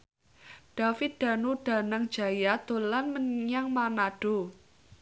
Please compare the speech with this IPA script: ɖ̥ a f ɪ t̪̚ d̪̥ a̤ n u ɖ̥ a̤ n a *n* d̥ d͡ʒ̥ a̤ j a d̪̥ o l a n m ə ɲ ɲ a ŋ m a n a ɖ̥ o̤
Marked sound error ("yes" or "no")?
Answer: yes